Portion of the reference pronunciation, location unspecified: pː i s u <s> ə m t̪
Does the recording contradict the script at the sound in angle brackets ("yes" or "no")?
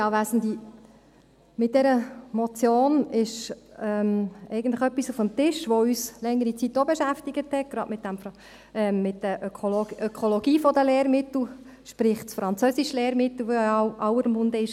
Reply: yes